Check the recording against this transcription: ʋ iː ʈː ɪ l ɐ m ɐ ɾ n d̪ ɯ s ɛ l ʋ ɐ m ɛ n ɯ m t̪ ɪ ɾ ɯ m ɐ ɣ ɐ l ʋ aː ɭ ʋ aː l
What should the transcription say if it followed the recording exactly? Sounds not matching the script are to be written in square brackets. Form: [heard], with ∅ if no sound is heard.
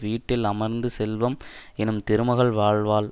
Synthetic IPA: ʋ iː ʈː ɪ l ɐ m ɐ ɾ n d̪ ɯ s ɛ l ʋ ɐ m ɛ n ɯ m t̪ ɪ ɾ ɯ m ɐ ɣ ɐ [ɭ] ʋ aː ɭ ʋ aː l